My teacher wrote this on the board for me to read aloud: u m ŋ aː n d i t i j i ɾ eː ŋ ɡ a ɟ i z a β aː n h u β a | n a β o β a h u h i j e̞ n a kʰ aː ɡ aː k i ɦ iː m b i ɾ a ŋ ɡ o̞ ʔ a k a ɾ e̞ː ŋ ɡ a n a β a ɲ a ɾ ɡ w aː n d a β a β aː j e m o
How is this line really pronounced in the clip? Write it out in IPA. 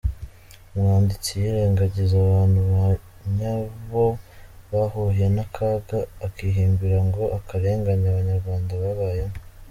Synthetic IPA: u m ŋ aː n d i t͡s i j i ɾ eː ŋ ɡ a ɟ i z a β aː n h u β a | ɲ a β o β a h u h i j e̞ n a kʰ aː ɡ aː k i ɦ iː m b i ɾ a ŋ ɡ o̞ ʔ a k a ɾ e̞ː ŋ ɡ a ɲ a β a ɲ a ɾ ɡ w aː n d a β a β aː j e m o